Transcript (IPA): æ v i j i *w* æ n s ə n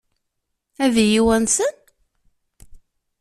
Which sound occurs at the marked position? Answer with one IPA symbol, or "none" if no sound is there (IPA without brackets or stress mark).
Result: w